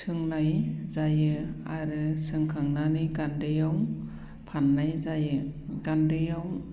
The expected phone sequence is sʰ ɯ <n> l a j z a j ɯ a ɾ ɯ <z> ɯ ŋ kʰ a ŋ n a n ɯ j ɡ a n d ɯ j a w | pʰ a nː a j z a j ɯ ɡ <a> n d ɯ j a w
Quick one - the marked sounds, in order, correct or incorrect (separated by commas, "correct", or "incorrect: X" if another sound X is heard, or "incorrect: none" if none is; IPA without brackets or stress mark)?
incorrect: ŋ, incorrect: s, correct